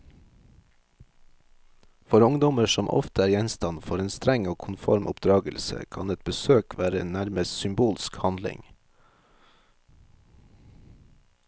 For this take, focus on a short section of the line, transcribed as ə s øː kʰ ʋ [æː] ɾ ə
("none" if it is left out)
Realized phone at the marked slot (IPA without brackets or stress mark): æː